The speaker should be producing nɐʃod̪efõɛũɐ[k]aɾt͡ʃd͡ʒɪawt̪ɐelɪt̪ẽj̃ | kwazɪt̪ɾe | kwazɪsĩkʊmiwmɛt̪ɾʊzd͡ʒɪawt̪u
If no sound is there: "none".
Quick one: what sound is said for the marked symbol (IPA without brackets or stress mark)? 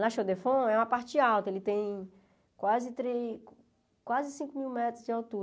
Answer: p